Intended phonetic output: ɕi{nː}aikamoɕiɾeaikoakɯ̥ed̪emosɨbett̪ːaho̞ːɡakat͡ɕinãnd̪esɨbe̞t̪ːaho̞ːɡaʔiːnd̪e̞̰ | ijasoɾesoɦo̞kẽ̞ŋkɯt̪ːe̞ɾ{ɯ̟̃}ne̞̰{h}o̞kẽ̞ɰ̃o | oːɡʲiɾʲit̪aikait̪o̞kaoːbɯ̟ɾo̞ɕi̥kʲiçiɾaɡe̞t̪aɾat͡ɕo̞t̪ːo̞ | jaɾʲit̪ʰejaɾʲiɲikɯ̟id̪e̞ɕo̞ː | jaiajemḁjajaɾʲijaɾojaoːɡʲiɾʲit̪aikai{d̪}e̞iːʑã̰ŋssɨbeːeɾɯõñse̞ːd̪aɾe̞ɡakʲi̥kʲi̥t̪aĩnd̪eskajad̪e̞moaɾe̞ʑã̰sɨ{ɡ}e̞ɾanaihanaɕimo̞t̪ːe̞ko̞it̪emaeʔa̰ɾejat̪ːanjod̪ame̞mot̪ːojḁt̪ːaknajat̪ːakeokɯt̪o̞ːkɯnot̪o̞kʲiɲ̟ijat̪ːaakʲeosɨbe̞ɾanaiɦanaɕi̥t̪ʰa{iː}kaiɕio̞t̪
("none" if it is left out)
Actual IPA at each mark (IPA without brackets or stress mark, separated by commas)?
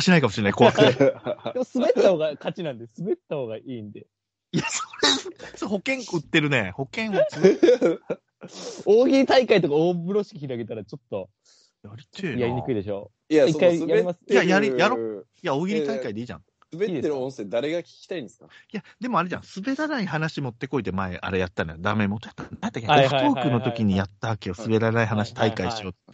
n, ɯ̟, h, d̪, b, i